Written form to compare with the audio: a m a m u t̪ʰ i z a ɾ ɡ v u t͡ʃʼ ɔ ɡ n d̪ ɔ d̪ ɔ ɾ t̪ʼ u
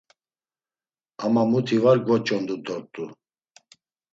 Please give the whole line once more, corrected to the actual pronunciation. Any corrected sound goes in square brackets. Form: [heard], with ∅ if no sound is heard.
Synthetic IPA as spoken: a m a m u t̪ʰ i [v] a ɾ ɡ v [ɔ] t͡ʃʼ ɔ [∅] n d̪ [u] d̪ ɔ ɾ t̪ʼ u